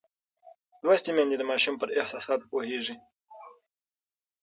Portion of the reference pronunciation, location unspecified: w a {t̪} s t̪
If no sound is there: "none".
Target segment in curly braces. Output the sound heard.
none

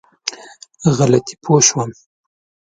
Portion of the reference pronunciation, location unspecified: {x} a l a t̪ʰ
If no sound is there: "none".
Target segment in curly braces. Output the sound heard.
ɣ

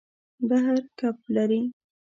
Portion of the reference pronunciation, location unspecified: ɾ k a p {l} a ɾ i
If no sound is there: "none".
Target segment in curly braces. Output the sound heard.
l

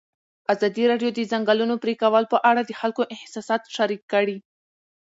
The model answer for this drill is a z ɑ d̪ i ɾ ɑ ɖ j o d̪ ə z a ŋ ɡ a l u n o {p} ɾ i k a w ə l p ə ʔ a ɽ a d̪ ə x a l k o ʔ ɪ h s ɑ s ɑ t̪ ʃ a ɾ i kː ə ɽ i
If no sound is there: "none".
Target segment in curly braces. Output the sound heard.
p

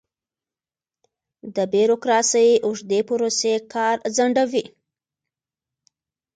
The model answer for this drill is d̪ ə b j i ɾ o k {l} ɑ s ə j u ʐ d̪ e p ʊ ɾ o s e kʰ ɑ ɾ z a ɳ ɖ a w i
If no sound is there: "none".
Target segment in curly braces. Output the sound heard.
ɾ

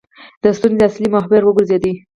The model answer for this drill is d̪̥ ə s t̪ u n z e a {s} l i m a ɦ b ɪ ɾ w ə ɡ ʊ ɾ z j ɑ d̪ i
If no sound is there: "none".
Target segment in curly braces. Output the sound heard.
s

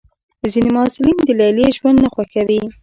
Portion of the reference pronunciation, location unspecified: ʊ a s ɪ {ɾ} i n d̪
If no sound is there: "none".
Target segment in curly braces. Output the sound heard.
l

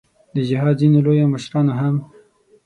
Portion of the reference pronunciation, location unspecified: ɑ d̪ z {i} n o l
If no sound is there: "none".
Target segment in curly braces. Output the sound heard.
i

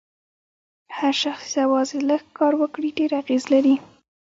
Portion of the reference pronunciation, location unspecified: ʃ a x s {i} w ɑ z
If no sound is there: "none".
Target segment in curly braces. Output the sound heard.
a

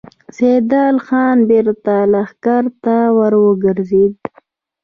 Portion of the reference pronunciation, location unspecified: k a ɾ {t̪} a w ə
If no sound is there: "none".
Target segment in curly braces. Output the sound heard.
t̪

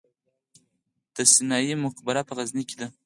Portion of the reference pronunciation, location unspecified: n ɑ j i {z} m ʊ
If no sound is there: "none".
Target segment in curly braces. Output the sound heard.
none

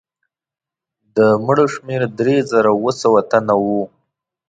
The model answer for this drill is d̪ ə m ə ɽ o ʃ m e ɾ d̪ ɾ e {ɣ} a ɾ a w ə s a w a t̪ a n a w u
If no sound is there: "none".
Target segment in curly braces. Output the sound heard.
z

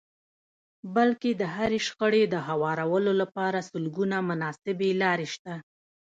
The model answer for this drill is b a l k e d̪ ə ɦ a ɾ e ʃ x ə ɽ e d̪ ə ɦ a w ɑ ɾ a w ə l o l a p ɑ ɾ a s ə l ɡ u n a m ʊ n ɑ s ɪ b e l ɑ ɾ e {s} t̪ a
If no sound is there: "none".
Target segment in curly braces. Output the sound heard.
ʃ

